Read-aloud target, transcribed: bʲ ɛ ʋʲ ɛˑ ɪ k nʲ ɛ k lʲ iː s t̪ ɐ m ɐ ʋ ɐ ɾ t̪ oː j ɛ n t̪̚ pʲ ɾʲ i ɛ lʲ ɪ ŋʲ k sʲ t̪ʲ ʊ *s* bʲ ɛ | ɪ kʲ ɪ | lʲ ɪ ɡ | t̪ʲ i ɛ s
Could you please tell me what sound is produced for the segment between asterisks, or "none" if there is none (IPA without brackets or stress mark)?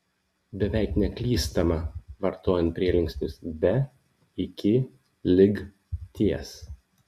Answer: s